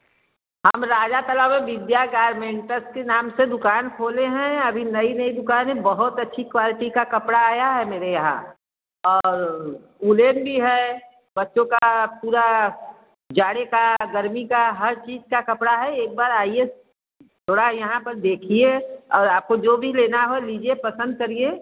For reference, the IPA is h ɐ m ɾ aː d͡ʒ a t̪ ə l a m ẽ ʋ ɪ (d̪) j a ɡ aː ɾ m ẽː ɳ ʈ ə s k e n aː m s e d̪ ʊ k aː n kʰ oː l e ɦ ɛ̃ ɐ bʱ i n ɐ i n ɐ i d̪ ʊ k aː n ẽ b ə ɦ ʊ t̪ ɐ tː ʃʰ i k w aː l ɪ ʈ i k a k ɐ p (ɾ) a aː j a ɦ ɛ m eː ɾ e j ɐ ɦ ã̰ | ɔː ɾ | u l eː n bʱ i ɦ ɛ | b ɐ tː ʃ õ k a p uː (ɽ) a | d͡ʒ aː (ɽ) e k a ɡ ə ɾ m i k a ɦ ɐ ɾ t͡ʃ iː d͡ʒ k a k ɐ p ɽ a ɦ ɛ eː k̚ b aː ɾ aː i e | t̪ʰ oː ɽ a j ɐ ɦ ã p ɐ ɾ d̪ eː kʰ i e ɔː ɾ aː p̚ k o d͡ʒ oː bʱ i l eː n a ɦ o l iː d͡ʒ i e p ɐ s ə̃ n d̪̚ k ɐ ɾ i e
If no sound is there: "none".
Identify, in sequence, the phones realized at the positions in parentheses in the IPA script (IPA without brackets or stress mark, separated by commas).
d̪, ɽ, ɾ, ɽ